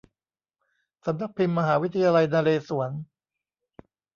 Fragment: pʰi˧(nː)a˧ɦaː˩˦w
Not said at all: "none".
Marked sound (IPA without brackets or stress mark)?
mː